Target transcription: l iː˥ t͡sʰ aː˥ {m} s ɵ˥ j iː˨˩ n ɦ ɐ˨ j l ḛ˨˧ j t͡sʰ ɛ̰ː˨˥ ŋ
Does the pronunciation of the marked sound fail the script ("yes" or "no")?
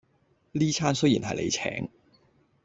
yes